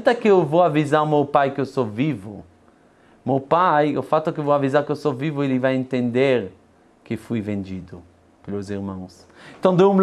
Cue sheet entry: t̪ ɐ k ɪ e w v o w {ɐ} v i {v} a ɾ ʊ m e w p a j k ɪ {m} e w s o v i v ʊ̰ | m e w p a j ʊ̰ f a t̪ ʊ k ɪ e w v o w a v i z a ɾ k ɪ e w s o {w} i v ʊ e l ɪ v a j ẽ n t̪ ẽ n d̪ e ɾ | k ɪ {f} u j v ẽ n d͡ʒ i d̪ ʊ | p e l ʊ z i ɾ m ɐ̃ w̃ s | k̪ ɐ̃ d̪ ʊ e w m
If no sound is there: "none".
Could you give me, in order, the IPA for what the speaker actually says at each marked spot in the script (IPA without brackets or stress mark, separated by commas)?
a, z, none, v, f